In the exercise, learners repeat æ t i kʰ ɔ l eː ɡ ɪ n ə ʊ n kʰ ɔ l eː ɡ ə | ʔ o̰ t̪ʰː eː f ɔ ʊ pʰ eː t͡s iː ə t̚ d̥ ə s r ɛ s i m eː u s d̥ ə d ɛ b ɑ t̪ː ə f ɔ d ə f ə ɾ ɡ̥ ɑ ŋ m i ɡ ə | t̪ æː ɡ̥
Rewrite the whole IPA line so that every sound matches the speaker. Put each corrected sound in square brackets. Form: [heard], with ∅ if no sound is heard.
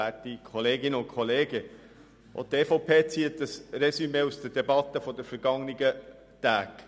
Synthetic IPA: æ t i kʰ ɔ l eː ɡ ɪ n ə ʊ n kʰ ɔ l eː ɡ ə | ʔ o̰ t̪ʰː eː f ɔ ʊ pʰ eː t͡s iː ə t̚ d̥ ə s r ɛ s [y] m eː u s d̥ ə d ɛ b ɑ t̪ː ə f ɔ d ə f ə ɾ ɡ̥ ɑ ŋ [n] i ɡ ə | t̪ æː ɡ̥